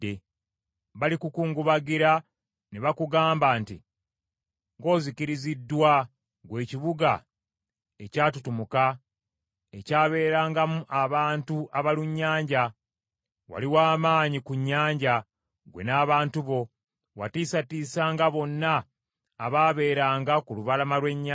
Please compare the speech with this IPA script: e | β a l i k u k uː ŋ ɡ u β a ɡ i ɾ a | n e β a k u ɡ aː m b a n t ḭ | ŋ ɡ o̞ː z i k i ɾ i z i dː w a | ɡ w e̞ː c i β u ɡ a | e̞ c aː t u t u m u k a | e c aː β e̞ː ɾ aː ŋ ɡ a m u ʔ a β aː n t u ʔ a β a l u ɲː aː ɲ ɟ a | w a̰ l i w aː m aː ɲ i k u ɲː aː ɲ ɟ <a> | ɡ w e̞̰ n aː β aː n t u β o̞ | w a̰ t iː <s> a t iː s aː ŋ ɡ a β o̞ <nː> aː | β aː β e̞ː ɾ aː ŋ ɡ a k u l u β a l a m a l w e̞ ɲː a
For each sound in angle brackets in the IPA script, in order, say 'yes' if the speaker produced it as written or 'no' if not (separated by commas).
yes, yes, yes